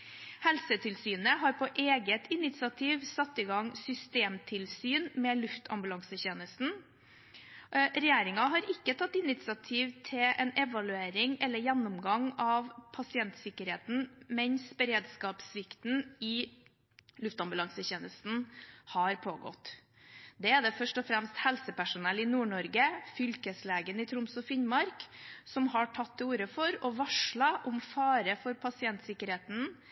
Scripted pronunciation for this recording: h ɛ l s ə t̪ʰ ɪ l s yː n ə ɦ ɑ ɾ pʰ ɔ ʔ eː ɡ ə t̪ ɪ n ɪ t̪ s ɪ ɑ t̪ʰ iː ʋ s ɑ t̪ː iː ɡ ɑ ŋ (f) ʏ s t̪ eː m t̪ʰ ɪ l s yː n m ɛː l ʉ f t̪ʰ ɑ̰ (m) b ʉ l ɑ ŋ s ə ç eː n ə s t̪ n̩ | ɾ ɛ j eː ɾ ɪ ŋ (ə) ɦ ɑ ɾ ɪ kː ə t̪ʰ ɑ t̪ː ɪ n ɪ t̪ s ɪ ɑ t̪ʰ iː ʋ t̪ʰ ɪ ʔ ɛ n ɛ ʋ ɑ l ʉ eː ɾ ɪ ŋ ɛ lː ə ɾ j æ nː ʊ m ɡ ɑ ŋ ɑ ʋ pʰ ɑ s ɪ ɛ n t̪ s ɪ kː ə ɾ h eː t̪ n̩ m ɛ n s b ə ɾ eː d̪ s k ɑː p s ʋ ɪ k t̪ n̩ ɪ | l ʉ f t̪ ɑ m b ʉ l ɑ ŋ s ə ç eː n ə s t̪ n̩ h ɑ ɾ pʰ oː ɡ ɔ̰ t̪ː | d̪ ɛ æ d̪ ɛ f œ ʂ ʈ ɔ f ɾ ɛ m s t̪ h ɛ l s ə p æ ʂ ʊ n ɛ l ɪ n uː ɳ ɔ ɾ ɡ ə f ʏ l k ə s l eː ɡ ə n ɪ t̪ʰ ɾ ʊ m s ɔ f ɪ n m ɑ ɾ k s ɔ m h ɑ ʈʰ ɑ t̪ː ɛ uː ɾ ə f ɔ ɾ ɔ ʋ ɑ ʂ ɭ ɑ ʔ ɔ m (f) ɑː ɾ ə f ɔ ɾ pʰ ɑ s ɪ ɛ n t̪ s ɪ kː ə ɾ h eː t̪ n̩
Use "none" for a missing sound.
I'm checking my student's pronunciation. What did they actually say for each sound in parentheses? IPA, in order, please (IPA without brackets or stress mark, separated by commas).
s, m, ɑ, f